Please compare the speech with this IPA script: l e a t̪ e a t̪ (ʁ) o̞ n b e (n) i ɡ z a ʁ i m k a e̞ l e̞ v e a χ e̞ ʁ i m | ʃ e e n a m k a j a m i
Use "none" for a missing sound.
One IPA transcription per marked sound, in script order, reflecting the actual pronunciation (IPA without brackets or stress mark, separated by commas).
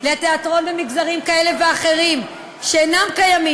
ʁ, m